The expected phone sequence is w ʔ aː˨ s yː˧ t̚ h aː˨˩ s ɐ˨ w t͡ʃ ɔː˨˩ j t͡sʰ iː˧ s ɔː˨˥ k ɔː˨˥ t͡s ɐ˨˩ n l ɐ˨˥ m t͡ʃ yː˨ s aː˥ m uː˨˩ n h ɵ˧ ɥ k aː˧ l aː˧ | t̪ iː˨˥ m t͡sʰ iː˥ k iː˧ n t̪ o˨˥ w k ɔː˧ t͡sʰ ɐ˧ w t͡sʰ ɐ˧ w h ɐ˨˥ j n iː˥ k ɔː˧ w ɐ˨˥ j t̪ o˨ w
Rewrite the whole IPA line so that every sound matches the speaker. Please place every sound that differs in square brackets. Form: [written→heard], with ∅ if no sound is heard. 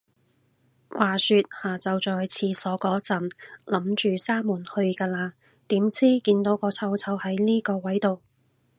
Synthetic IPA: w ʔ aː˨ s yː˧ t̚ h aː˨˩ [s→t͡s] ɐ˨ w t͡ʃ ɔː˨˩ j t͡sʰ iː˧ s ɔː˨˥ k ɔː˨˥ t͡s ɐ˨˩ n l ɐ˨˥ m t͡ʃ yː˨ s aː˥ m uː˨˩ n h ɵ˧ ɥ k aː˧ l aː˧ | t̪ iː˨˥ m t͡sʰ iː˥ k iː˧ n t̪ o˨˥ w k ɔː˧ t͡sʰ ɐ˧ w t͡sʰ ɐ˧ w h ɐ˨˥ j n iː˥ k ɔː˧ w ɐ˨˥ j t̪ o˨ w